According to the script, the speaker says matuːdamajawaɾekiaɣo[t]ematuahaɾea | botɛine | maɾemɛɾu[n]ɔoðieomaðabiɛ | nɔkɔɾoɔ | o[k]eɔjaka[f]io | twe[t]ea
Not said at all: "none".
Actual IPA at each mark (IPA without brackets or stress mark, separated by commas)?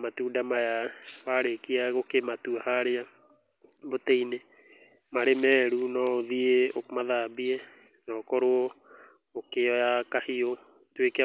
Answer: k, n, k, h, k